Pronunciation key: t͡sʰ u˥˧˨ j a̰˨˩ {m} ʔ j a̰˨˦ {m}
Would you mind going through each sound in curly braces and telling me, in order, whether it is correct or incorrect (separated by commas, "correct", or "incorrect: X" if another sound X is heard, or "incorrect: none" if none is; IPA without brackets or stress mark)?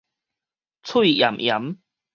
correct, correct